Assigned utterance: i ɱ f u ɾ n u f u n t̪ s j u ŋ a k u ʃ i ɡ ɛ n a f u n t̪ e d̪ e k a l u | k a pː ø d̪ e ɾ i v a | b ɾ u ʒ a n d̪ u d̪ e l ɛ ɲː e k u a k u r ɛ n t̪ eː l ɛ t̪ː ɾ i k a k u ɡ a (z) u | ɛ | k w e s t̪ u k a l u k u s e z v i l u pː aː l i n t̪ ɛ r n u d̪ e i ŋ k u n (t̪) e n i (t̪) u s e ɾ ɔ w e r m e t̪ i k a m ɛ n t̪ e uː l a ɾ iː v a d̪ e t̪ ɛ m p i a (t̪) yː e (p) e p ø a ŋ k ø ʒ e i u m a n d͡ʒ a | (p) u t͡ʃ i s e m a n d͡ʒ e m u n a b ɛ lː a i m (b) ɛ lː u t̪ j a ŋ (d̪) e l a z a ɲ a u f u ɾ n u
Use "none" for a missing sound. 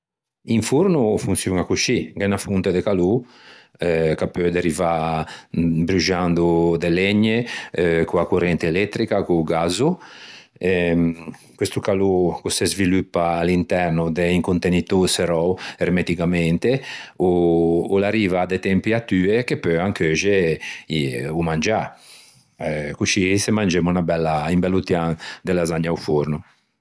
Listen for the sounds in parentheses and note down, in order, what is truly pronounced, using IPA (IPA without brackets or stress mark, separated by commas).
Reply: z, t̪, t̪, t̪, k, k, b, d̪